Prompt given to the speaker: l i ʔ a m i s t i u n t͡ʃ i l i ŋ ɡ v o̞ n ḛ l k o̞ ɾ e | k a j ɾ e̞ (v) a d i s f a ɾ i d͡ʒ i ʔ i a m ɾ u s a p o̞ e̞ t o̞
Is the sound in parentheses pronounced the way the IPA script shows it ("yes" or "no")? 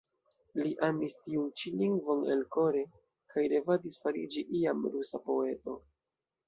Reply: yes